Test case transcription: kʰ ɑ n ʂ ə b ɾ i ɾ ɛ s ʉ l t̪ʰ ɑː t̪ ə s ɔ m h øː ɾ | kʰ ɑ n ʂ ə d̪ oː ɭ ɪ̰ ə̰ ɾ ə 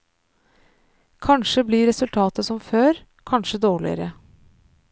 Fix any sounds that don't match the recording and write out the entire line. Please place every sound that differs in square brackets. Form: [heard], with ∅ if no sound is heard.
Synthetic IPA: kʰ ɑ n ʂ ə b [l] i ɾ ɛ s ʉ l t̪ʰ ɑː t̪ ə s ɔ m [f] øː ɾ | kʰ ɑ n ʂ ə d̪ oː ɭ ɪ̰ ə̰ ɾ ə

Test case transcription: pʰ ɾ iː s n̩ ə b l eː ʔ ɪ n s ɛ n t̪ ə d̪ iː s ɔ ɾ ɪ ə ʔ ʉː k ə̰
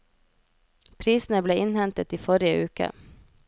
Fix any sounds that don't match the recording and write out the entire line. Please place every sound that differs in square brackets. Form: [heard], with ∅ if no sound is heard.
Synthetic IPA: pʰ ɾ iː s n̩ ə b l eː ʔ ɪ n [h] ɛ n t̪ ə [t̪] iː [f] ɔ ɾ ɪ ə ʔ ʉː k ə̰

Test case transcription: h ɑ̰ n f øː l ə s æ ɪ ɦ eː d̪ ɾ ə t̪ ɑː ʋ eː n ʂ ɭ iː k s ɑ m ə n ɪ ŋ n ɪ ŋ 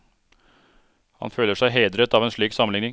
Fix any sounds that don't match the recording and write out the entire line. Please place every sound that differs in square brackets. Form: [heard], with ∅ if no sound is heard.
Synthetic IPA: h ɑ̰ n f øː l ə [ʂ] æ ɪ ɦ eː d̪ ɾ ə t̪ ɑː ʋ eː n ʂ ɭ iː k s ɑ m ə n ɪ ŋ n ɪ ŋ

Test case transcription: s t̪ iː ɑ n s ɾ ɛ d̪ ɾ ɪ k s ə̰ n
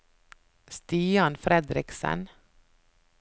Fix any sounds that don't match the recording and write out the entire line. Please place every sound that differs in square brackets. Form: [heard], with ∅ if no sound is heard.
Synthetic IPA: s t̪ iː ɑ n [f] ɾ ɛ d̪ ɾ ɪ k s ə̰ n

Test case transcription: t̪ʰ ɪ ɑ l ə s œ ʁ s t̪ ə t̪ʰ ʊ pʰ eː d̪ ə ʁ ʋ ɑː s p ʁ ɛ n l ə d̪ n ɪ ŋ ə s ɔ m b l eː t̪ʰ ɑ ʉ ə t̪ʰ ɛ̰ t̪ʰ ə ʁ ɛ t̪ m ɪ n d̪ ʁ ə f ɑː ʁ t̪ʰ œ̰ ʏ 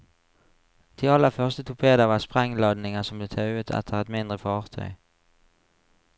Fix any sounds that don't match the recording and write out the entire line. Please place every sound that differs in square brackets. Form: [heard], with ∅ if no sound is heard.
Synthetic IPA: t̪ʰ ɪ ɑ l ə [f] œ ʁ s t̪ ə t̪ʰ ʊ pʰ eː d̪ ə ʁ ʋ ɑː s p ʁ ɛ [ŋ] l [ɑ] d̪ n ɪ ŋ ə s ɔ m b l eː t̪ʰ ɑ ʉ ə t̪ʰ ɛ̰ t̪ʰ ə ʁ ɛ t̪ m ɪ n d̪ ʁ ə f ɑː ʁ t̪ʰ œ̰ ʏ

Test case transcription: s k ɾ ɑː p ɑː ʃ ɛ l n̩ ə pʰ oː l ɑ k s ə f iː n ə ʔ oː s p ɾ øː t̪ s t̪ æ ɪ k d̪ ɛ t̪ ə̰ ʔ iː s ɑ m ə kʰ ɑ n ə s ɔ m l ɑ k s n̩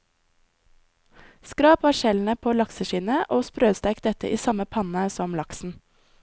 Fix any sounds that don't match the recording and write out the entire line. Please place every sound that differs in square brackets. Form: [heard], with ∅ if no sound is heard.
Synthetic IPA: s k ɾ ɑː p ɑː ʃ ɛ l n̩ ə pʰ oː l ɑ k s ə [ʃ] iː n ə ʔ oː s p ɾ øː [∅] s t̪ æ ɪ k d̪ ɛ t̪ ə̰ ʔ iː s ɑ m ə [pʰ] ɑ n ə s ɔ m l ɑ k s n̩

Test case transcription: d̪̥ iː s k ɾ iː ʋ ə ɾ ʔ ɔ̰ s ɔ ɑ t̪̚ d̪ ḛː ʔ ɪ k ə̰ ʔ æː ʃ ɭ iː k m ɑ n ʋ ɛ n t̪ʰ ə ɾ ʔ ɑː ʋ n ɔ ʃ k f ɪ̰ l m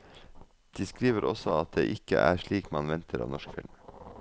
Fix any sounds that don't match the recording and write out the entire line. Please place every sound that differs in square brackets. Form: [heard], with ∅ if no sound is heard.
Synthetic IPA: d̪̥ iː s k ɾ iː ʋ ə ɾ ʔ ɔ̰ s ɔ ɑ t̪̚ d̪ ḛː ʔ ɪ k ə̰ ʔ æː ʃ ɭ iː k m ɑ n ʋ ɛ n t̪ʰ ə ɾ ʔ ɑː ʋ n ɔ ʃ k f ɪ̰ l m

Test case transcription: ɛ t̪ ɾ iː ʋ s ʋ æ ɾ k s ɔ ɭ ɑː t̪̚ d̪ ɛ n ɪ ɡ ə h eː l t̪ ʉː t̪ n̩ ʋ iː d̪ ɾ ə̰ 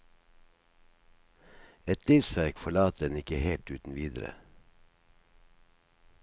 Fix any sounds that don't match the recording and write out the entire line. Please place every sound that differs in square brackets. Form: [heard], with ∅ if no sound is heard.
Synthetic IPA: ɛ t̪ [l] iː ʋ s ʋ æ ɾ k [f] ɔ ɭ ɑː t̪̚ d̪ ɛ n ɪ [k] ə h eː l t̪ ʉː t̪ n̩ ʋ iː d̪ ɾ ə̰

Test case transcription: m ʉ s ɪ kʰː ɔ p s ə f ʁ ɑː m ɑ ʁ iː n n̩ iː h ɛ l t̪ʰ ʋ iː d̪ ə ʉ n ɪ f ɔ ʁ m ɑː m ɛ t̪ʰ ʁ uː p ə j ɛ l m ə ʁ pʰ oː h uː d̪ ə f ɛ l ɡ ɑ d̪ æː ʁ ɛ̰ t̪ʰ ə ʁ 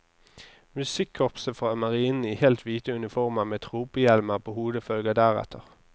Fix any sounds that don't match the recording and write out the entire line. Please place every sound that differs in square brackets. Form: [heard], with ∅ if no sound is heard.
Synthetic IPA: m ʉ s ɪ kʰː ɔ p s ə f ʁ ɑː m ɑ ʁ iː n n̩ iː h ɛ l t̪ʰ ʋ iː [t̪] ə ʉ n ɪ f ɔ ʁ m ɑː m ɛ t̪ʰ ʁ uː p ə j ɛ l m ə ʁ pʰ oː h uː d̪ ə f [œ] l ɡ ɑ d̪ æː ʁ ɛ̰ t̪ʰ ə ʁ

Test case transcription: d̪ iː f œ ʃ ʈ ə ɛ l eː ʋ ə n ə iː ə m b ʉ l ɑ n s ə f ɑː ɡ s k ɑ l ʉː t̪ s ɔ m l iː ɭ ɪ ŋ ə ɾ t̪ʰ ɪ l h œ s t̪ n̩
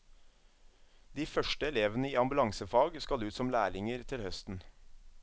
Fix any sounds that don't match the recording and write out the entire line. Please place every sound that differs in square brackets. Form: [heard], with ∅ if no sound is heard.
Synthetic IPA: d̪ iː f œ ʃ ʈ ə ɛ l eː ʋ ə n ə iː [ɑ] m b ʉ l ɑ [ŋ] s ə f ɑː ɡ s k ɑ l ʉː t̪ s ɔ m l [æː] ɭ ɪ ŋ ə ɾ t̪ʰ ɪ l h œ s t̪ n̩

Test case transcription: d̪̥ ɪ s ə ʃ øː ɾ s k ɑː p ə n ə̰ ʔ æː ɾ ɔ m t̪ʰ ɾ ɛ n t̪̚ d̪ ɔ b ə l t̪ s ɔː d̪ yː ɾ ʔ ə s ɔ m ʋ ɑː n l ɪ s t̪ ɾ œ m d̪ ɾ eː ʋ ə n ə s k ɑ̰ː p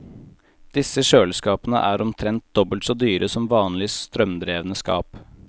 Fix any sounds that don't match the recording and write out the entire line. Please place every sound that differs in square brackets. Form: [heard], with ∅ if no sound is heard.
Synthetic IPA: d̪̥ ɪ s ə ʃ øː [l] s k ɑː p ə n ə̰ ʔ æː ɾ ɔ m t̪ʰ ɾ ɛ n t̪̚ d̪ ɔ b ə l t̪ s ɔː d̪ yː ɾ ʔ ə s ɔ m ʋ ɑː n l ɪ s t̪ ɾ œ m d̪ ɾ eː ʋ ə n ə s k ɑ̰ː p

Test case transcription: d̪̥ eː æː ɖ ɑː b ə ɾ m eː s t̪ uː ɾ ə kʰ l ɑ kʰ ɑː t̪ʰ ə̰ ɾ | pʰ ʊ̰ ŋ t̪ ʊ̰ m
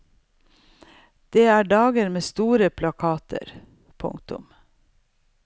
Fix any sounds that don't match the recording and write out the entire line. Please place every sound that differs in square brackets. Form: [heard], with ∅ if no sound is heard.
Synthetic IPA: d̪̥ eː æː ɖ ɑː [ɡ] ə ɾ m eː s t̪ uː ɾ ə [pʰ] l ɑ kʰ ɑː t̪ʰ ə̰ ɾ | pʰ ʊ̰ ŋ t̪ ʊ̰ m

